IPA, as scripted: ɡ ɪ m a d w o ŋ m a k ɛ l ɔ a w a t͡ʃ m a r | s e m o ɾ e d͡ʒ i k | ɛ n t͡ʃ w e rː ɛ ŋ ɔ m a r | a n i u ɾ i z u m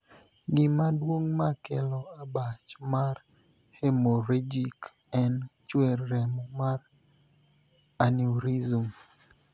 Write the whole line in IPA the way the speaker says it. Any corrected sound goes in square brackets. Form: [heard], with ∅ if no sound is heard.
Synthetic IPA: ɡ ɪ m a d w o ŋ m a k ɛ l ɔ a [b] a t͡ʃ m a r | [h] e m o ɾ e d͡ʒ i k | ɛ n t͡ʃ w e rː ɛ [m] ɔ m a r | a n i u ɾ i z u m